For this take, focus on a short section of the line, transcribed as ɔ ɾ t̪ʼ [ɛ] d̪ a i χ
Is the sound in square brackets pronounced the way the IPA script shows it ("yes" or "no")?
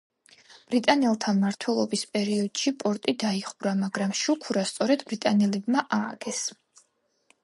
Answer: no